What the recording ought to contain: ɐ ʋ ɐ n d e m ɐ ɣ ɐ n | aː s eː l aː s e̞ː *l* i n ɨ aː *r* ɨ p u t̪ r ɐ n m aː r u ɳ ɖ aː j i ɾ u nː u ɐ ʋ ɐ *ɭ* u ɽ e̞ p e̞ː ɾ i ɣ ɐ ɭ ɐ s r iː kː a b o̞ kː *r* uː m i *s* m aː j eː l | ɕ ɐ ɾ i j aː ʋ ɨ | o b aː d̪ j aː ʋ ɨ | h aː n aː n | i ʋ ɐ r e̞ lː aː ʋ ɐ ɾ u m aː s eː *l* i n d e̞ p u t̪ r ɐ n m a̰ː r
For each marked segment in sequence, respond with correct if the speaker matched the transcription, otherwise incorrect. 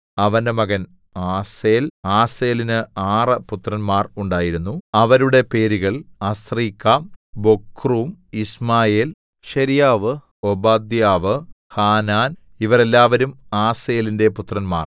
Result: correct, correct, incorrect, correct, correct, correct

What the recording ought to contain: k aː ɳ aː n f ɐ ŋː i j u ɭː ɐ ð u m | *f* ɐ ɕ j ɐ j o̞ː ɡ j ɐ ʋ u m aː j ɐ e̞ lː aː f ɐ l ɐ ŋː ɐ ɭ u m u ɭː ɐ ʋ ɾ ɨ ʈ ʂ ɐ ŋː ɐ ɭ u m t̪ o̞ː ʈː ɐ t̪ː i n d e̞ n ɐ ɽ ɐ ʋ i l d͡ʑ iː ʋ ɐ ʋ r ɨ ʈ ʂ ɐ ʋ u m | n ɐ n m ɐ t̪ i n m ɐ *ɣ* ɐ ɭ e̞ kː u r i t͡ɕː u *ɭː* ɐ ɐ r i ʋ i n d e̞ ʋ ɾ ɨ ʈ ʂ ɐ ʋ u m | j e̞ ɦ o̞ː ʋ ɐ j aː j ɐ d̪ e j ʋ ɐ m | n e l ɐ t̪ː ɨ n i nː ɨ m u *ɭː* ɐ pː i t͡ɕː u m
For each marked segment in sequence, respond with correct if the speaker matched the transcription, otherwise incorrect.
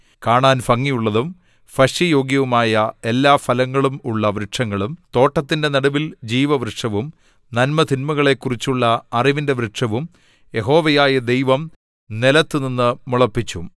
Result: correct, correct, correct, incorrect

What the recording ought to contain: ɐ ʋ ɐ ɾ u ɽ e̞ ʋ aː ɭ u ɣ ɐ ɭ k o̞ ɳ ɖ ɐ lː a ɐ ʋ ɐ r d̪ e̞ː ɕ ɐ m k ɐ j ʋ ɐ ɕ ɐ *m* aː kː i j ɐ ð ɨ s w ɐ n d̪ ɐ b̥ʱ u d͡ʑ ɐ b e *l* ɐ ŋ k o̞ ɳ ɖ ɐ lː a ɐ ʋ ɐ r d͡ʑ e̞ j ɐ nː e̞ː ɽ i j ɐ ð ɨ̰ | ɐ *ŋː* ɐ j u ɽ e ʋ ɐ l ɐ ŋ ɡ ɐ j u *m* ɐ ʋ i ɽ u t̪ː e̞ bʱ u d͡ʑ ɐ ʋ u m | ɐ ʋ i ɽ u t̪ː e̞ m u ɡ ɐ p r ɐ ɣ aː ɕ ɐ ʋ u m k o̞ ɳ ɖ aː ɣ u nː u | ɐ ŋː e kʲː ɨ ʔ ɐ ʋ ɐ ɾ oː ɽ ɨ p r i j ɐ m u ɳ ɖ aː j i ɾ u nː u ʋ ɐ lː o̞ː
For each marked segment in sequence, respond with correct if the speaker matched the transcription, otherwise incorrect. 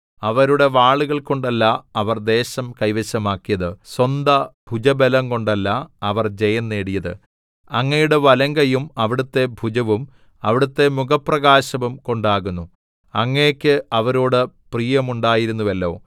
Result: correct, correct, correct, correct

